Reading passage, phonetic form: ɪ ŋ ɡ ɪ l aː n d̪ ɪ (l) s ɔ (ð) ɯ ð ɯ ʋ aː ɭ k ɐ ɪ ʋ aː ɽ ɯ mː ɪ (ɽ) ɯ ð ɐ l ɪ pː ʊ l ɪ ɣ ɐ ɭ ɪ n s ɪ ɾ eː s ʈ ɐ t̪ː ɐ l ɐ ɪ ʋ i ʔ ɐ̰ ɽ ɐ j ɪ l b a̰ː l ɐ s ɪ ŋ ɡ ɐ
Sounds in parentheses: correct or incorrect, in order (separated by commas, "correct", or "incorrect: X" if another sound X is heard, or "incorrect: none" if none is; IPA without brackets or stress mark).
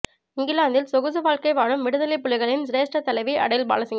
correct, incorrect: ɣ, correct